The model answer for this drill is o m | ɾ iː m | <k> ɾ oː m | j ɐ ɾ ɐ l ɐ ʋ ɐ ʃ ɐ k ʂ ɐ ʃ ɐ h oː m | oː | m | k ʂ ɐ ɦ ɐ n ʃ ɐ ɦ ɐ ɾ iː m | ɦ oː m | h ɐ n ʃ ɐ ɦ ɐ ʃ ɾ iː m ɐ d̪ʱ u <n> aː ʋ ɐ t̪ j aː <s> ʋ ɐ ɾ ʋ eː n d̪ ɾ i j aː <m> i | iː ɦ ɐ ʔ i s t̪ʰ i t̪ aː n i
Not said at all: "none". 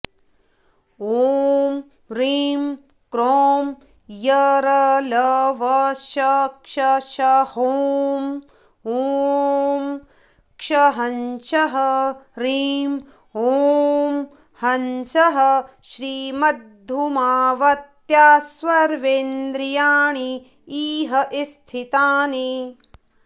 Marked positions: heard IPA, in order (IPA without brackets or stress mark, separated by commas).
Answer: k, m, s, ɳ